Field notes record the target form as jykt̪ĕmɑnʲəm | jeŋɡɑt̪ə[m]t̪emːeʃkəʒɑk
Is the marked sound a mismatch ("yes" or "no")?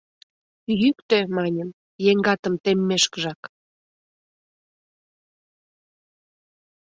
no